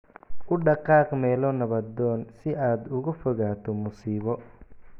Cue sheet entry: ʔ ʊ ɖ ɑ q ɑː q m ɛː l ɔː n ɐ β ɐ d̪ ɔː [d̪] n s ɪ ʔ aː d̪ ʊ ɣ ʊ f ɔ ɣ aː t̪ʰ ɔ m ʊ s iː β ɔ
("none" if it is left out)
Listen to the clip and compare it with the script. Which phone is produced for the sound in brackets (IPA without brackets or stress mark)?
none